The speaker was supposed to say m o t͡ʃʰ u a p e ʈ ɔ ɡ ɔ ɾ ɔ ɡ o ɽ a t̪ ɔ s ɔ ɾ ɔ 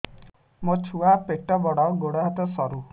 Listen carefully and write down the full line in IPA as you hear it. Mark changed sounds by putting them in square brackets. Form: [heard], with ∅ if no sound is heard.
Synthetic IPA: m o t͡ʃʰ u a p e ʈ ɔ [b] ɔ [ɽ] ɔ ɡ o ɽ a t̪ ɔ s ɔ ɾ [u]